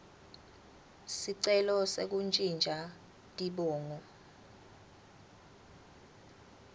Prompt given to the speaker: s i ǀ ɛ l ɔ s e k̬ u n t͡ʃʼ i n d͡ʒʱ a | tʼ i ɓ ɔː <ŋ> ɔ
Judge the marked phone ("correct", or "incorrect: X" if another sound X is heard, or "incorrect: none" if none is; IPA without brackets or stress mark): correct